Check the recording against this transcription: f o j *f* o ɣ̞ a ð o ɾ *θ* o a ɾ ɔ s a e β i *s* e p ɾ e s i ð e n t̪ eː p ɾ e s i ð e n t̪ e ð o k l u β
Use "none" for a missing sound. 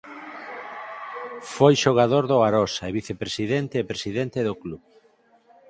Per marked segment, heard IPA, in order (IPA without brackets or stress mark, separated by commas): ʃ, ð, θ